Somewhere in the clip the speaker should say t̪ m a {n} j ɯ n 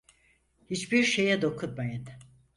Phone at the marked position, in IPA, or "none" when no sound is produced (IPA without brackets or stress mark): none